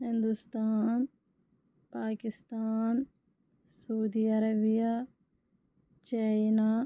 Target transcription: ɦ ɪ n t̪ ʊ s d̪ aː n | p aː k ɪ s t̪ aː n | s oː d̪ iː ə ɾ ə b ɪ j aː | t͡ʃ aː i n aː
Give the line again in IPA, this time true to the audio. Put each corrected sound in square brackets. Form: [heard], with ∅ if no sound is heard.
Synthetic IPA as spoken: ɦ ɪ n [d̪] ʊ s [t̪] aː n | p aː k ɪ s t̪ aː n | s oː d̪ iː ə ɾ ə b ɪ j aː | t͡ʃ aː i n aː